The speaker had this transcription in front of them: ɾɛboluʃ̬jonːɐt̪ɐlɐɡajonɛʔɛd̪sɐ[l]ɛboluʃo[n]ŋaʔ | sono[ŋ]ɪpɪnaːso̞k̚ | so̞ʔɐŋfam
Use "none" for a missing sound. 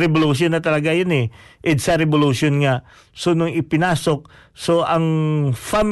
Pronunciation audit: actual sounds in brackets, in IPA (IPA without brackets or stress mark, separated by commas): ɾ, n, ŋ